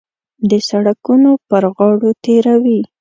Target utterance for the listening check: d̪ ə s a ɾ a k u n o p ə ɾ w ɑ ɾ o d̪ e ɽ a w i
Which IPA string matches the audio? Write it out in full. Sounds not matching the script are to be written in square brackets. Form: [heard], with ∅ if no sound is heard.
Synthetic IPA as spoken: d̪ ə s a [ɽ] a k u n o p ə ɾ [ɣ] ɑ [ɽ] o [t̪] e [ɾ] a w i